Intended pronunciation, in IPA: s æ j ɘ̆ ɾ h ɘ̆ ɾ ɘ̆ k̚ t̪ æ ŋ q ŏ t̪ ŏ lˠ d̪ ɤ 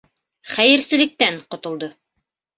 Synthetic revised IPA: χ æ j ɘ̆ ɾ s ɘ̆ l ɘ̆ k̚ t̪ æ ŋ q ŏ t̪ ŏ lˠ d̪ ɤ